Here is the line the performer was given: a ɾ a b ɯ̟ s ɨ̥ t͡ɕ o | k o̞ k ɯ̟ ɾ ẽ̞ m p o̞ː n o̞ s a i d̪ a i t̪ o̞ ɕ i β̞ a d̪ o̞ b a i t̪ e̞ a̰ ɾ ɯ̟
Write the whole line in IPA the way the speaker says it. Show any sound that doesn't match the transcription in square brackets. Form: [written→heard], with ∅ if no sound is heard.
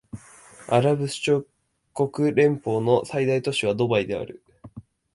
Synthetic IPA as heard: a ɾ a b ɯ̟ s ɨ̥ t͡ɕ o | k o̞ k ɯ̟ ɾ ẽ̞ m p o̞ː n o̞ s a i d̪ a i t̪ o̞ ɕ i β̞ a d̪ o̞ b a i [t̪→d̪] e̞ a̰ ɾ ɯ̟